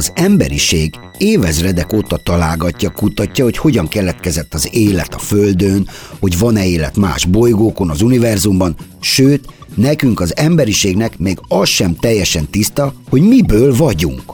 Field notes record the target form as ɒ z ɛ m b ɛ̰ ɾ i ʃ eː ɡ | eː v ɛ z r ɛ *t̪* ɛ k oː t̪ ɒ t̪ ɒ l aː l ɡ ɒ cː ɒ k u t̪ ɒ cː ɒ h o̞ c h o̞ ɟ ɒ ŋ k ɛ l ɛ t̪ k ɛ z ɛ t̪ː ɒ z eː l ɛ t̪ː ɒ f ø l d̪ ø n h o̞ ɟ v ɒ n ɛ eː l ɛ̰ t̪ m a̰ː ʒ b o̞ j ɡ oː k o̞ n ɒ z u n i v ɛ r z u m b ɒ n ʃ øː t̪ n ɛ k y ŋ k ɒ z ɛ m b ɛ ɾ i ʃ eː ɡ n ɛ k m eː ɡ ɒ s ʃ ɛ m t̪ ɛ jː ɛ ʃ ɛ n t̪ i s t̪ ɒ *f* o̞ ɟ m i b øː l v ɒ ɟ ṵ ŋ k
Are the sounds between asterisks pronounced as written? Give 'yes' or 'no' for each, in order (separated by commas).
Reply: no, no